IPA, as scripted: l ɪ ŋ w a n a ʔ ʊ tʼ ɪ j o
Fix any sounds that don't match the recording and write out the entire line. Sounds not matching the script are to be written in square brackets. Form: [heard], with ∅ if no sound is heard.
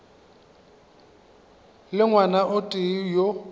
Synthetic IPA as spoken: l ɪ ŋ w a n a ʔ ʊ tʼ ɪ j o